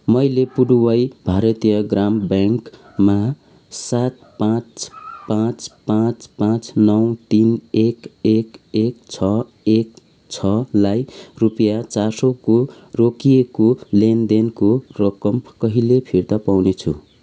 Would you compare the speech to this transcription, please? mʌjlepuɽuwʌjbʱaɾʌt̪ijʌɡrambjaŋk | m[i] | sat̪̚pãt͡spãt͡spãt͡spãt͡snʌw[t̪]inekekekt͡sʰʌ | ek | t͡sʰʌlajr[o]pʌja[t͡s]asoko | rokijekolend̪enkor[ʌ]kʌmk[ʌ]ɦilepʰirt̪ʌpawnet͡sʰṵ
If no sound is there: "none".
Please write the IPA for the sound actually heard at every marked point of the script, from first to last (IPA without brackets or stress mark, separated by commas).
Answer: a, t̪, u, t͡s, ʌ, ʌ